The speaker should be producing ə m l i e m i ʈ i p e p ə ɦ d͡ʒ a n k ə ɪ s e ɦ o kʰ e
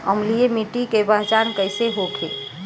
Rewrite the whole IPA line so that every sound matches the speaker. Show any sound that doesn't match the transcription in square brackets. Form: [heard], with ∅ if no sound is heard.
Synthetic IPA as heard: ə m l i e m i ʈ i [k] e [b] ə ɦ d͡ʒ a n k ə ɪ s e ɦ o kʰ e